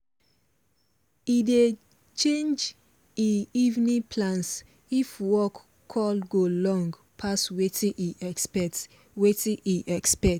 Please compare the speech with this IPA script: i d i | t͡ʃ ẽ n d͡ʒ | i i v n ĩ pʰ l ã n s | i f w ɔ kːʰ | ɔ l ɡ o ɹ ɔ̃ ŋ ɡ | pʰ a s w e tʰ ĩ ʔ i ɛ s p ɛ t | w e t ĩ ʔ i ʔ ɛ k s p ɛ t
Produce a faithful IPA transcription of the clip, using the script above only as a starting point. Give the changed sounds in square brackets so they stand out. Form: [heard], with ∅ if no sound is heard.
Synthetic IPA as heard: i d [e] | t͡ʃ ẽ n d͡ʒ | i i v n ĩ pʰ l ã n s | i f w ɔ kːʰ | ɔ l ɡ o [l] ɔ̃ ŋ ɡ | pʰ a s w e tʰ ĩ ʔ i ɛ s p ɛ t | w e t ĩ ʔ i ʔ ɛ k s p ɛ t